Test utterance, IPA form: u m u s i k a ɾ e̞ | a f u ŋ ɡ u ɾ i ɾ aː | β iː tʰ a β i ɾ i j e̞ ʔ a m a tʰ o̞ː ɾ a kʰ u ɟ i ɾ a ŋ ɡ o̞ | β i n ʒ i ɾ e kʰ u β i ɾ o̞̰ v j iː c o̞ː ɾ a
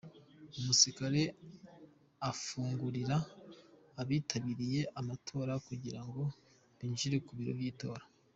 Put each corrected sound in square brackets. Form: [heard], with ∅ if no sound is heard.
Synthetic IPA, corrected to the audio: u m u s i k a ɾ e̞ | a f [uː] ŋ ɡ u ɾ i ɾ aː | β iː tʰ a β i ɾ i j e̞ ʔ a m a tʰ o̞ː ɾ a [k] u ɟ i ɾ a ŋ ɡ o̞ | β i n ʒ i ɾ e [k] u β i ɾ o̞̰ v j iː [t] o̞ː ɾ a